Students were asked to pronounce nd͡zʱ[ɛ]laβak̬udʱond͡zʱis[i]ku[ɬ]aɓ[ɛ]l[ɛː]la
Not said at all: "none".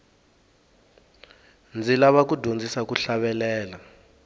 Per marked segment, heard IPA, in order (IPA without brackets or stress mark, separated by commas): i, a, ɬ, ɛ, ɛː